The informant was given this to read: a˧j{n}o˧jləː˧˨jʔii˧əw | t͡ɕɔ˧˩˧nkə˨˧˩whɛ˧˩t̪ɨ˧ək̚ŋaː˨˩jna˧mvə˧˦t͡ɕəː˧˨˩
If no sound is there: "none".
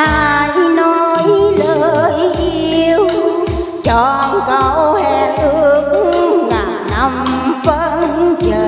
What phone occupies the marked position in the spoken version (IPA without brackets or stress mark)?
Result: n